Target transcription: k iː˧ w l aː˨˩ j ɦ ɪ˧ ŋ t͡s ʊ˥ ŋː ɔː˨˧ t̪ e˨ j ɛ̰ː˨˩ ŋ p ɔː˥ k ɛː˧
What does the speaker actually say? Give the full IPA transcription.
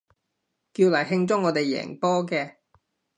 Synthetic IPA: k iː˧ w l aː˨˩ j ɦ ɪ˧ ŋ t͡s ʊ˥ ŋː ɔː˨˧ t̪ e˨ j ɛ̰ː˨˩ ŋ p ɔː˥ k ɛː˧

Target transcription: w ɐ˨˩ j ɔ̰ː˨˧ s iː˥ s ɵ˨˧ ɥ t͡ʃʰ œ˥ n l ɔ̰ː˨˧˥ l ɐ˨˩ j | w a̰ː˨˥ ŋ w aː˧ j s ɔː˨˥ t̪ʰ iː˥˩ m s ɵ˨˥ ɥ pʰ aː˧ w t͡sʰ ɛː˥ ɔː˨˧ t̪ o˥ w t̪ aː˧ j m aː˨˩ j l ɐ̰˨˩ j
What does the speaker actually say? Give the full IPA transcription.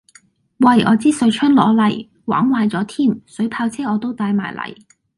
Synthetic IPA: w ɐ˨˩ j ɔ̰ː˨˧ t͡s iː˥ s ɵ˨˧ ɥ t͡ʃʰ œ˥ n l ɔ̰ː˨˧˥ l ɐ˨˩ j | w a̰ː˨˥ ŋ w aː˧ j t͡s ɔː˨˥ t̪ʰ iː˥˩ m s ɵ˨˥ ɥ pʰ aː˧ w t͡sʰ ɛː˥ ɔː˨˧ t̪ o˥ w t̪ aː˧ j m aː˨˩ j l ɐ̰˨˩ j

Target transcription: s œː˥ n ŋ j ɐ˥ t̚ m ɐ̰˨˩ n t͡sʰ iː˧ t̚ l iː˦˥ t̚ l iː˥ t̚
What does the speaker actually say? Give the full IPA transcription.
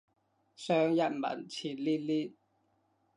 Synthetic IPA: s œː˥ ŋ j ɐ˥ t̚ m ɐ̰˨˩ n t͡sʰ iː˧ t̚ l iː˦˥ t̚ l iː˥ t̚

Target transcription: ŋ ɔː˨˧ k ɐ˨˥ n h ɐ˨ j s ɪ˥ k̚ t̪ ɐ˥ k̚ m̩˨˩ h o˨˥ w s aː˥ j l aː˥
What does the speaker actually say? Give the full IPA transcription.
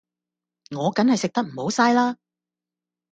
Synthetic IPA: ŋ ɔː˨˧ k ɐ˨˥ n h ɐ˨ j s ɪ˨ k̚ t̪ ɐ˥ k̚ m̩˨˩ h o˨˥ w s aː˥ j l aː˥

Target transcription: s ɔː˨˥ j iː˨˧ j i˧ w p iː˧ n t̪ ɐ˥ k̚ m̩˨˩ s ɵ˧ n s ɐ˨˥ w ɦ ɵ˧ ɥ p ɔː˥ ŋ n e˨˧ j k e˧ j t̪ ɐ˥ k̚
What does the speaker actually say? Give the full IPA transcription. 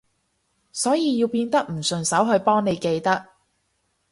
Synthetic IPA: s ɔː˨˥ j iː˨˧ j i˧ w p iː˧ n t̪ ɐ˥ k̚ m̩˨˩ s ɵ˨˩ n s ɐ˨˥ w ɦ ɵ˧ ɥ p ɔː˥ ŋ n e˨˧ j k e˧ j t̪ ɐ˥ k̚

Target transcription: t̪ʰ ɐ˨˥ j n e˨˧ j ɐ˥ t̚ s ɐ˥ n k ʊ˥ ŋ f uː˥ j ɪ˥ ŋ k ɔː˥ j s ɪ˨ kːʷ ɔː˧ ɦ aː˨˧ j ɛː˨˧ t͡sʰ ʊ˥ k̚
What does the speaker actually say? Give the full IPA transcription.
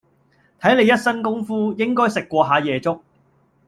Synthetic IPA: t̪ʰ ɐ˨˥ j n e˨˧ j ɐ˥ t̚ s ɐ˥ n k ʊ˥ ŋ f uː˥ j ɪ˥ ŋ k ɔː˥ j s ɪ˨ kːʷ ɔː˧ ɦ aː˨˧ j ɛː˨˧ t͡s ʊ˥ k̚

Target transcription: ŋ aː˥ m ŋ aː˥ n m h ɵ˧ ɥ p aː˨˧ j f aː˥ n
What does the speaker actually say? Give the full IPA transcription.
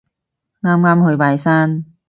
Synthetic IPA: ŋ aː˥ m ŋ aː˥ m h ɵ˧ ɥ p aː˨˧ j s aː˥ n

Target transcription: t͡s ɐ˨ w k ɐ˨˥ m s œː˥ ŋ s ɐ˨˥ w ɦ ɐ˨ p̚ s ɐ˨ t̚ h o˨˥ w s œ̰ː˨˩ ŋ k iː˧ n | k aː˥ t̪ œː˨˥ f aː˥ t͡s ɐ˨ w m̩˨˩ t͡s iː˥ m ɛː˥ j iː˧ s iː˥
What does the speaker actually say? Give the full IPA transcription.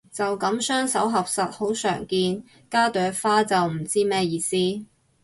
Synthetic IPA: t͡s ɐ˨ w k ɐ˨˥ m s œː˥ ŋ s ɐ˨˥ w ɦ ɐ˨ p̚ s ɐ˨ t̚ h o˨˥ w s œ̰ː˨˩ ŋ k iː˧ n | k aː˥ t̪ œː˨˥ f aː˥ t͡s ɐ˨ w m̩˨˩ t͡s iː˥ m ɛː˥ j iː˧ s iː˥

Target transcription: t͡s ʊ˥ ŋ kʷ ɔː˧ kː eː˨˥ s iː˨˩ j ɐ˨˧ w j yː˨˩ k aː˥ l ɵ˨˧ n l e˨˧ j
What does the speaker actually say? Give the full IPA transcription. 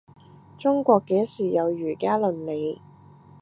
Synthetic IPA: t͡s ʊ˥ ŋ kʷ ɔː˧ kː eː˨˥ s iː˨˩ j ɐ˨˧ w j yː˨˩ k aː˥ l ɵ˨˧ n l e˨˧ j

